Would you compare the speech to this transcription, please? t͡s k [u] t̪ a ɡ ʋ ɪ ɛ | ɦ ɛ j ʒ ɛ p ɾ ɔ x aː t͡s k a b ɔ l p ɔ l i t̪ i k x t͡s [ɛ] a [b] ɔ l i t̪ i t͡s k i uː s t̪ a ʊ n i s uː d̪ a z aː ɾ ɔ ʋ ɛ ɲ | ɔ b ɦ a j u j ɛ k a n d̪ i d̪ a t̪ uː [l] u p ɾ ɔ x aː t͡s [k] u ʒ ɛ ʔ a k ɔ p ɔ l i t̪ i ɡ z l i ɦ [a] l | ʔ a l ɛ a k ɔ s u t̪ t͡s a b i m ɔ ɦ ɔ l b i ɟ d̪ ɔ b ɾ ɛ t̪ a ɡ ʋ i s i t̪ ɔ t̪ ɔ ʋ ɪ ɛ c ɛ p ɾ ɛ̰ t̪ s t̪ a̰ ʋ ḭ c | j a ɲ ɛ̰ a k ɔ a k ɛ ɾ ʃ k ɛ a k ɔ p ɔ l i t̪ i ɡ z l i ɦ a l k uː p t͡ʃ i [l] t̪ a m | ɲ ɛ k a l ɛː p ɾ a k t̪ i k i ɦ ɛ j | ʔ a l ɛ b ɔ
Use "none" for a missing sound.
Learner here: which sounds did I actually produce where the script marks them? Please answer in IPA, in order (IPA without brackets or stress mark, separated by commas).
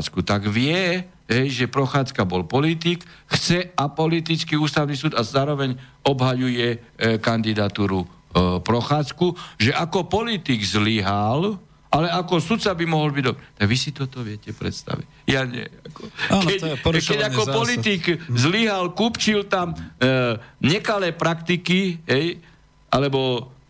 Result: u, ɛ, p, ɾ, k, a, l